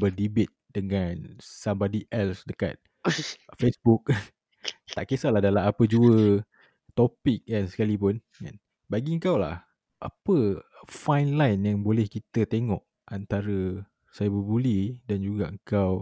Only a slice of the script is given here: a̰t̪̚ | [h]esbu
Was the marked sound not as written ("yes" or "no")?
yes